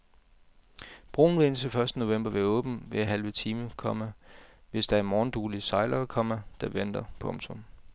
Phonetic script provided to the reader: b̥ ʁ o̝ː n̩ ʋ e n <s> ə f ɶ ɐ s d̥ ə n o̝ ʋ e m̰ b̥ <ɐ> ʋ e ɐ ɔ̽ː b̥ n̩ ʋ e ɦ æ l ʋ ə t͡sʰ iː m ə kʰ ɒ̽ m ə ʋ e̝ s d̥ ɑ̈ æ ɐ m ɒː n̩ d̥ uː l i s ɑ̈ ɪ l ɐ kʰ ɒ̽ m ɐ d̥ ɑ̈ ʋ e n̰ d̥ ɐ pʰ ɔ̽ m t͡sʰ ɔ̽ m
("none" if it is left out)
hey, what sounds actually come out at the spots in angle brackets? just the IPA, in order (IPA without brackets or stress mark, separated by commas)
s, ɐ